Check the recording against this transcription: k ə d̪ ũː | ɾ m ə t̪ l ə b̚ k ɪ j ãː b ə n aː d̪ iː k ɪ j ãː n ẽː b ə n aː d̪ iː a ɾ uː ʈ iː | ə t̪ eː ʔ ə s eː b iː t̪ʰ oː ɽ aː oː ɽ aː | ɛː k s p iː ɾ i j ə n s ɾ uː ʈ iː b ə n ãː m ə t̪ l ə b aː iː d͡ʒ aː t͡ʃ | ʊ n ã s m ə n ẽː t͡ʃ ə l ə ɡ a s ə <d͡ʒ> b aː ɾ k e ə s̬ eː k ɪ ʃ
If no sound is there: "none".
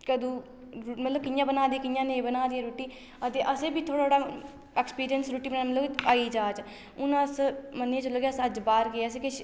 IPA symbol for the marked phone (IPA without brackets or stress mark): d͡ʒ